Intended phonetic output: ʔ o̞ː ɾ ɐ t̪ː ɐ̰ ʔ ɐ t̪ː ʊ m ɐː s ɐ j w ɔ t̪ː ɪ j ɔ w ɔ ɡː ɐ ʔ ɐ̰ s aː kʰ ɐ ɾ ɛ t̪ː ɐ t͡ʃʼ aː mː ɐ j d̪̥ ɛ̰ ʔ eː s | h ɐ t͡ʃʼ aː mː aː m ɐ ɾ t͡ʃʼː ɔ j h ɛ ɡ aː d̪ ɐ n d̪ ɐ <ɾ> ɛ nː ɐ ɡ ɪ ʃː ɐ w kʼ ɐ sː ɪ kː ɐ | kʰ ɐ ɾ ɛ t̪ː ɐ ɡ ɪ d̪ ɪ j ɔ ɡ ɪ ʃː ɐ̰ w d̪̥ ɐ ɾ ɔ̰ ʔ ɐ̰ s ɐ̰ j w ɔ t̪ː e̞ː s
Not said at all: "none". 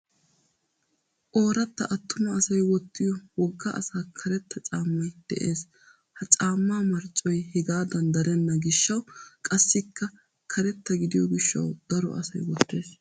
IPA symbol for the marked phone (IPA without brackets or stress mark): ɾ